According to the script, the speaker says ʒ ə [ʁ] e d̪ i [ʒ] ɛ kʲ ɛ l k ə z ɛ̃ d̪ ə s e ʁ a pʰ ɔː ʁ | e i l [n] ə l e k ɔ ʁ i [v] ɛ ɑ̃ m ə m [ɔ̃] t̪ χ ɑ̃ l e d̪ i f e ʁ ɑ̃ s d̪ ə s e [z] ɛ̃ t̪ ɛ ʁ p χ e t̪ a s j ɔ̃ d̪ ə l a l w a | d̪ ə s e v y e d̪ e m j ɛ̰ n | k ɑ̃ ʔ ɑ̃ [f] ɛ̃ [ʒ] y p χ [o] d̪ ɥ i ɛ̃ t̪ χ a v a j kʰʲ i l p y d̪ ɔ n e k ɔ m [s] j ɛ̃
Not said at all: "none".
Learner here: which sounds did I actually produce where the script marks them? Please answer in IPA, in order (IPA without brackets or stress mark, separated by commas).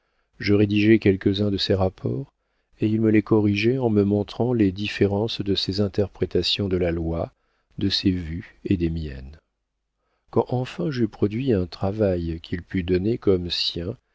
ʁ, ʒ, m, ʒ, ɔ̃, z, f, ʒ, ɔ, s